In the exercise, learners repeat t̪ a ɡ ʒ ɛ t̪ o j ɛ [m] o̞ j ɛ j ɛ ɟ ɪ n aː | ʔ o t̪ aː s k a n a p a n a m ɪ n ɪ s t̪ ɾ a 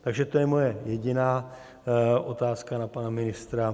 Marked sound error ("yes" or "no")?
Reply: no